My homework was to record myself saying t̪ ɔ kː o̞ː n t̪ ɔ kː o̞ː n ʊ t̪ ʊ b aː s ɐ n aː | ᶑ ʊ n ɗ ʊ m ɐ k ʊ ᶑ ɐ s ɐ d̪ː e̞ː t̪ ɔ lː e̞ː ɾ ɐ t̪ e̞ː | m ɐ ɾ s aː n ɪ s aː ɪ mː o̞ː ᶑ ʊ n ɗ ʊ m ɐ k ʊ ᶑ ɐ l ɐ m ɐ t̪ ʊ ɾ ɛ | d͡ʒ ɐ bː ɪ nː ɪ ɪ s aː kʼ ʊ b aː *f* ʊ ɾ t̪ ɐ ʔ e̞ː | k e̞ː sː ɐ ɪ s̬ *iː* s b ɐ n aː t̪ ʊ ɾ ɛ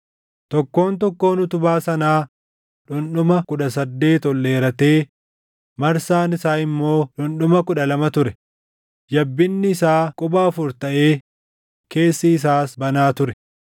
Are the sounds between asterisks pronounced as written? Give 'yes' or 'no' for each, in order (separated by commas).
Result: yes, no